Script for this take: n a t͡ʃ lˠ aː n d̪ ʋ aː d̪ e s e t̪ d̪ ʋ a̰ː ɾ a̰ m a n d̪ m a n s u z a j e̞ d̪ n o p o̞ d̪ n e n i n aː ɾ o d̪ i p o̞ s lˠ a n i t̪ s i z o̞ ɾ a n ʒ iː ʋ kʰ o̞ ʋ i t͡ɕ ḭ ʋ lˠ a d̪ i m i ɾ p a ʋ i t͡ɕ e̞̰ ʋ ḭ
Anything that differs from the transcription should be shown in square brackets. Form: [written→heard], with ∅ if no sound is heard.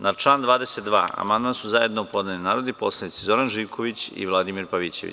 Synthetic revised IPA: n a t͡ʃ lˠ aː n d̪ ʋ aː d̪ e s e t̪ d̪ ʋ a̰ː [ɾ→∅] a̰ m a n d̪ m a n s u z a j e̞ d̪ n o p o̞ d̪ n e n i n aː ɾ o d̪ i p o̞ s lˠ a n i t̪ s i z o̞ ɾ a n ʒ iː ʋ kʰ o̞ ʋ i t͡ɕ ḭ ʋ lˠ a d̪ i m i ɾ p a ʋ i t͡ɕ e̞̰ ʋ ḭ